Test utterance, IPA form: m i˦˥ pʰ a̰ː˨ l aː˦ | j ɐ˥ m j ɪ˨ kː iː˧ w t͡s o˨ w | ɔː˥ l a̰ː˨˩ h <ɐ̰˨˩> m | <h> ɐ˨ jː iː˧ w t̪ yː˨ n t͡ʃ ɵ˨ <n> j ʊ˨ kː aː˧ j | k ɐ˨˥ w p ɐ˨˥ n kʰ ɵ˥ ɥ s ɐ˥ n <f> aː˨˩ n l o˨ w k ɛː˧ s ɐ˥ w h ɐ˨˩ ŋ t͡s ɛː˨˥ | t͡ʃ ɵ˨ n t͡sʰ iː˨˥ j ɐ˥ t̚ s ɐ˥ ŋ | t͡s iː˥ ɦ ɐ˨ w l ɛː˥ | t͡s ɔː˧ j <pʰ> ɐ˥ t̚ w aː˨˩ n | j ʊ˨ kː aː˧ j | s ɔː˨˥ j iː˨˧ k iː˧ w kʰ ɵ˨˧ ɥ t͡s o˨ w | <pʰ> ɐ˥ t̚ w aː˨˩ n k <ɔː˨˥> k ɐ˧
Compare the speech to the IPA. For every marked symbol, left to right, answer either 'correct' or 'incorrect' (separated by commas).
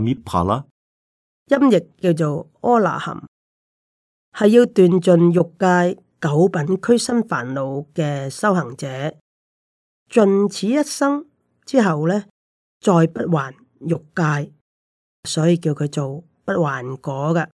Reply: correct, correct, correct, correct, incorrect, incorrect, correct